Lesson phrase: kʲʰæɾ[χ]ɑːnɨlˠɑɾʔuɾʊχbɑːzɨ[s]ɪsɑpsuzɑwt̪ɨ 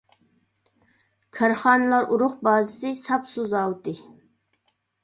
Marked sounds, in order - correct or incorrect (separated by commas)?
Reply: correct, correct